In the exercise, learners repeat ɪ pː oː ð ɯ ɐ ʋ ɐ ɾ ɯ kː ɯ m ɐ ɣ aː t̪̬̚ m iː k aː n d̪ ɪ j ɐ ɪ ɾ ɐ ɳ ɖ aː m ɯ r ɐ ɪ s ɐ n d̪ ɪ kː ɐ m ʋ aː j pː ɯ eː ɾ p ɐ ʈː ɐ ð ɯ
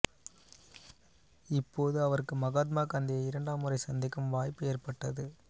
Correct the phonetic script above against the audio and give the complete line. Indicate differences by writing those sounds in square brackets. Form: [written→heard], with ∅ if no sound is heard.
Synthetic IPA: ɪ pː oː ð ɯ ɐ ʋ ɐ ɾ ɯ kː ɯ m ɐ ɣ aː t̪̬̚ m [iː→aː] k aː n d̪ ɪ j ɐ ɪ ɾ ɐ ɳ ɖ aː m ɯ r ɐ ɪ s ɐ n d̪ ɪ kː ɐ m ʋ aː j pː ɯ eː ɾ p ɐ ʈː ɐ ð ɯ